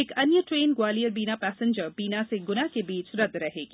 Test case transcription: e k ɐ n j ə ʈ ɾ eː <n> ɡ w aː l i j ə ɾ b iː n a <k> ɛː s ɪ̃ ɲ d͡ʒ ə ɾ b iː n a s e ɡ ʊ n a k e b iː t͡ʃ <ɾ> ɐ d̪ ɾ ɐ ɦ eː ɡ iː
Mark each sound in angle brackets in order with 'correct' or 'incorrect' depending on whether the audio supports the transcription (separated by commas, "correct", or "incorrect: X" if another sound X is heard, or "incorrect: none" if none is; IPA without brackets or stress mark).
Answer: correct, incorrect: p, correct